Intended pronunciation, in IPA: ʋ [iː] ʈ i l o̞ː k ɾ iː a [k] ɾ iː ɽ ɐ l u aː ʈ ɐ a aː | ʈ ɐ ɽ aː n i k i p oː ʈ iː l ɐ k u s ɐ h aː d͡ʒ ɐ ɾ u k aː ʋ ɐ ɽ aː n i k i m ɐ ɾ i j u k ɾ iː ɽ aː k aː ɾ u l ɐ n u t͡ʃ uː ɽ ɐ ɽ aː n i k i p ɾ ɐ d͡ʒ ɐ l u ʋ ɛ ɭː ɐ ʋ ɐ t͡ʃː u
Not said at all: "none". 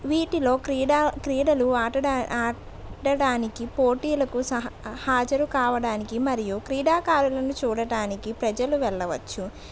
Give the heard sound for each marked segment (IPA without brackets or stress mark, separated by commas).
iː, k